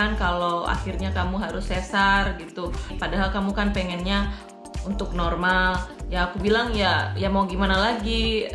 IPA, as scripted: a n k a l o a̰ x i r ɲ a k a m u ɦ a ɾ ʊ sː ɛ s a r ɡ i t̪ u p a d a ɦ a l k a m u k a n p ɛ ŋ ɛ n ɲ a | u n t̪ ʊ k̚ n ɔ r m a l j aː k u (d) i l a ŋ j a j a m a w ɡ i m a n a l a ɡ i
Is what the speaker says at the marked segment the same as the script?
no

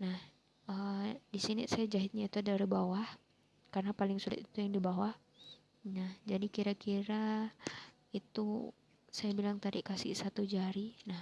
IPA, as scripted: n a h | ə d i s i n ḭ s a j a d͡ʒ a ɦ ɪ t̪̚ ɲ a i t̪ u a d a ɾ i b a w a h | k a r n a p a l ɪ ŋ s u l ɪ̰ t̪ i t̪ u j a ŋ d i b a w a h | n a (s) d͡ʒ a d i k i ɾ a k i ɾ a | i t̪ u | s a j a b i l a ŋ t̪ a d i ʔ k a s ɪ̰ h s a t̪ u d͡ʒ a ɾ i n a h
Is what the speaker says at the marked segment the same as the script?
no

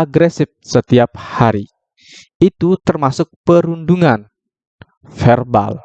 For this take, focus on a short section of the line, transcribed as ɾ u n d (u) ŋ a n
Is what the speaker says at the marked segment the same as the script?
yes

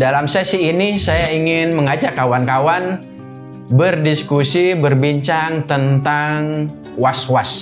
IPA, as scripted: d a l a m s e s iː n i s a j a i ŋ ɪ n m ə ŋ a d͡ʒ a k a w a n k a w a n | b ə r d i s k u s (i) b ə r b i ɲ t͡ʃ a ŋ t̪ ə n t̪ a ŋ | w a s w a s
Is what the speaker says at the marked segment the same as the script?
yes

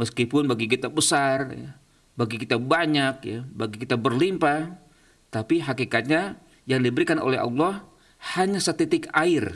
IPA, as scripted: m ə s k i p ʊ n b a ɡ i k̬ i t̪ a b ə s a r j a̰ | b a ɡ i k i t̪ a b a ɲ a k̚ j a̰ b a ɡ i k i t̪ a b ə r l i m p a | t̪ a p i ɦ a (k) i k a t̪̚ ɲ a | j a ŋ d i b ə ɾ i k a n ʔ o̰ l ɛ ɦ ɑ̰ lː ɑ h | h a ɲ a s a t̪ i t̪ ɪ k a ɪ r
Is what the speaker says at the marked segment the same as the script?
yes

